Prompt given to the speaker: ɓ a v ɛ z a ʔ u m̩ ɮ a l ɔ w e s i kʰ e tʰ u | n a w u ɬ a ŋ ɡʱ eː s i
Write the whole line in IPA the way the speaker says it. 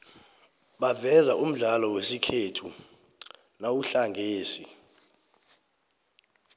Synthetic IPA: ɓ a v ɛ z a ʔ u m̩ ɮ a l ɔ w e s i kʰ e tʰ u | n a w u ɬ a ŋ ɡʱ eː s i